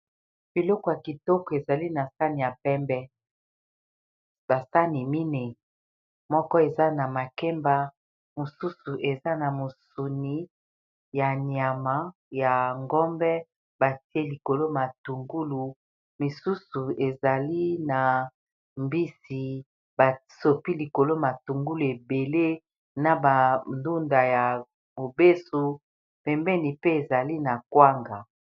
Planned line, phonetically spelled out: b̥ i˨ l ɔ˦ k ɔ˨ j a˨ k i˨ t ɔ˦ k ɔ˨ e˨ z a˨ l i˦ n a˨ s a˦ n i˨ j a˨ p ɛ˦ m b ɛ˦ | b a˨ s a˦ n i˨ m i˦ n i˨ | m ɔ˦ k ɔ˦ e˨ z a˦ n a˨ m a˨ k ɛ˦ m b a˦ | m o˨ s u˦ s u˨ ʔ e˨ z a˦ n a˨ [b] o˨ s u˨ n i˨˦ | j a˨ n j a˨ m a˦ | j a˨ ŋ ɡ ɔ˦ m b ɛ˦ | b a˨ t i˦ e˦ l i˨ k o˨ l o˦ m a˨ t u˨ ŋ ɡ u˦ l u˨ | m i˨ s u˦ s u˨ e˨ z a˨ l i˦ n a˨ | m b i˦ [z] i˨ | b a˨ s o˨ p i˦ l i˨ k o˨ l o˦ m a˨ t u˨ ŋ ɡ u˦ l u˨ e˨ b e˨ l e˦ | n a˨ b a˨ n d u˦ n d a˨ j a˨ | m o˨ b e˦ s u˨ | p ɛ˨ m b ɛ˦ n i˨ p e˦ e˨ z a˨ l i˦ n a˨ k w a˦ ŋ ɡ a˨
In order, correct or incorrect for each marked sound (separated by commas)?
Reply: incorrect, incorrect